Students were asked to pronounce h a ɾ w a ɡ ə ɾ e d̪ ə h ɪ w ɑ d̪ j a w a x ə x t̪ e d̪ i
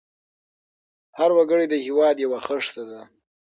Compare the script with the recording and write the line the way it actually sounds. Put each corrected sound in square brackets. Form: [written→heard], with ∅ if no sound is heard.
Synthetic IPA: h a ɾ w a ɡ ə [ɾ→ɽ] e d̪ ə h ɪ w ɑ d̪ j a w a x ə [x→ʂ] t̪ [e→a] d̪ [i→a]

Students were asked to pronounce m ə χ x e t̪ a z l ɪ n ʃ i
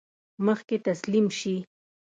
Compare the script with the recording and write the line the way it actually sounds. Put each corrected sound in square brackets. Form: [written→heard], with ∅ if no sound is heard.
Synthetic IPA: m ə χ [x→k] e t̪ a [z→s] l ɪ [n→m] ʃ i

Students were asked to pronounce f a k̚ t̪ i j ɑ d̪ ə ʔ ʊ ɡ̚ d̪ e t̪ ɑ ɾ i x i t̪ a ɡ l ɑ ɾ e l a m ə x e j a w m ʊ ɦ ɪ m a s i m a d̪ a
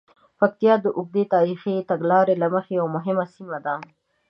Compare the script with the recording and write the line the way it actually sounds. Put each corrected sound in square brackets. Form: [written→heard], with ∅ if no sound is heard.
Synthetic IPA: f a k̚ t̪ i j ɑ d̪ ə ʔ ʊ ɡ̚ d̪ e t̪ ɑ ɾ i x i t̪ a ɡ l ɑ ɾ e l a m ə x e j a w m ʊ ɦ ɪ m a s i m a d̪ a

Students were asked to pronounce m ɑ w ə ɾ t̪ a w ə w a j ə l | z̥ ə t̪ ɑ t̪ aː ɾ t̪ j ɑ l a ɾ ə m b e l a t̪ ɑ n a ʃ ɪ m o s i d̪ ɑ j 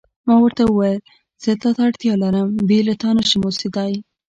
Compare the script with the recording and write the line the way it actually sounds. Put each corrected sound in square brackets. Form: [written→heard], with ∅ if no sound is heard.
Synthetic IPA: m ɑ w ə ɾ t̪ a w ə w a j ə l | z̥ ə t̪ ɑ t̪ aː [ɾ→ɽ] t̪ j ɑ l a ɾ ə m b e l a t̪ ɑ n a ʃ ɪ m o s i d̪ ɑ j

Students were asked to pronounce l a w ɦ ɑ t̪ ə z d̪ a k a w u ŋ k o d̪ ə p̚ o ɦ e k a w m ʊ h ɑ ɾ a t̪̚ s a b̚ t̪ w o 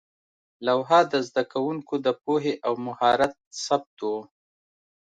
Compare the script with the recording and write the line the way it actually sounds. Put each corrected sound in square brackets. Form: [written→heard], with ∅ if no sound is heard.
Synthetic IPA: l a w ɦ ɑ [t̪→d̪] ə z d̪ a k a w u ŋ k o d̪ ə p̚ o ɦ e [k→ʔ] a w m ʊ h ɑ ɾ a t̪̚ s a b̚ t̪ w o

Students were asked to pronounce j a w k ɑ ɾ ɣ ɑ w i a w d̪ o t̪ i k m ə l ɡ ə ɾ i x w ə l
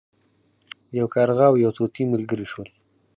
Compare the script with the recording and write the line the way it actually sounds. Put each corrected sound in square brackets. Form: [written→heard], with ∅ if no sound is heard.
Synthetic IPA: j a w k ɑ ɾ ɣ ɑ w [i→j] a w [d̪→t̪] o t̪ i [k→∅] m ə l ɡ ə ɾ i [x→ʃ] w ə l

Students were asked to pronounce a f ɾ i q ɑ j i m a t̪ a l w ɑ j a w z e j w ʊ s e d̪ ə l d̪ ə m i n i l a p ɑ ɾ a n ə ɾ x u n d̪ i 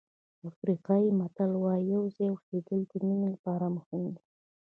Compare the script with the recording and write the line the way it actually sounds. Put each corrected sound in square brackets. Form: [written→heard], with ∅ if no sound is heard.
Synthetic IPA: a f ɾ i q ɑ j i m a t̪ a l w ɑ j a w z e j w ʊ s e d̪ ə l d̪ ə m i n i l a p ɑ ɾ a [n→m] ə [ɾ→∅] x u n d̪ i

